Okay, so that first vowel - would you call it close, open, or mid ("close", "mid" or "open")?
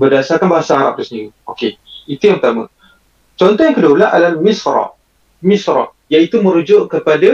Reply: mid